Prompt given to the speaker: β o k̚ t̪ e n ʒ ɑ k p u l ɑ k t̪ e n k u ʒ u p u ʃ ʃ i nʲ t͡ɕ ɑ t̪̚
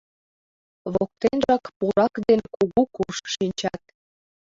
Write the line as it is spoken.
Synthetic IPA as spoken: β o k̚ t̪ e n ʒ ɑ k p u ɾ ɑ k d̪ e n k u ɣ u k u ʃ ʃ i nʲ t͡ɕ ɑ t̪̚